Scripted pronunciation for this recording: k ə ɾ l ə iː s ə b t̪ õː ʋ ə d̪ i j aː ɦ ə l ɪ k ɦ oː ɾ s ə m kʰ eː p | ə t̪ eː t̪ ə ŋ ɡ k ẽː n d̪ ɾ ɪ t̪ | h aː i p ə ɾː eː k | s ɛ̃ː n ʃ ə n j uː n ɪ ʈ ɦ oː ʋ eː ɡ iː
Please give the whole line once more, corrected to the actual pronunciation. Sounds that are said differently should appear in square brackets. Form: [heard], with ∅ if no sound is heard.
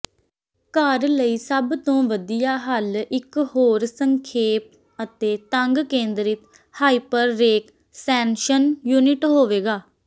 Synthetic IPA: k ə ɾ l ə iː s ə b t̪ õː ʋ ə d̪ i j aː ɦ ə l ɪ k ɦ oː ɾ s ə [ŋ] kʰ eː p | ə t̪ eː t̪ ə ŋ ɡ k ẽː n d̪ ɾ ɪ t̪ | h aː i p ə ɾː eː k | s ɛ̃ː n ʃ ə n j uː n ɪ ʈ ɦ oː ʋ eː ɡ [aː]